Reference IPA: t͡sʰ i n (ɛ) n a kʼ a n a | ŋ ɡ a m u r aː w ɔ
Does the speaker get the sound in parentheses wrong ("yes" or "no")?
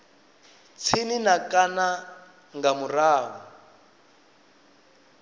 yes